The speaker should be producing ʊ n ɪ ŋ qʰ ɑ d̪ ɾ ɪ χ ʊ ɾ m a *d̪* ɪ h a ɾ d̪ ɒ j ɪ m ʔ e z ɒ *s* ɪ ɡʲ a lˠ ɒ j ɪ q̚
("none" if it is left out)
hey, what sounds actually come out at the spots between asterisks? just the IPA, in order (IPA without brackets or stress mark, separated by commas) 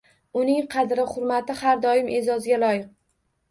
t̪, z